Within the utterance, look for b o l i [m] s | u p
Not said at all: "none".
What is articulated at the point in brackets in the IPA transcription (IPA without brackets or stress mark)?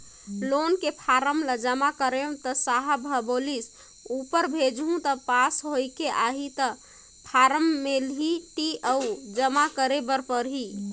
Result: none